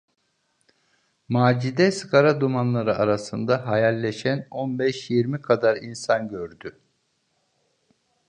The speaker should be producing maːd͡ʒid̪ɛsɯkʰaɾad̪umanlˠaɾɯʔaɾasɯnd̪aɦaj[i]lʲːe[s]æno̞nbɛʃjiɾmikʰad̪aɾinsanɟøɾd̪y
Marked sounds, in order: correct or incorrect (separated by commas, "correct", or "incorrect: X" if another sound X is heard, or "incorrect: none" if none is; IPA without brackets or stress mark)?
incorrect: a, incorrect: ʃ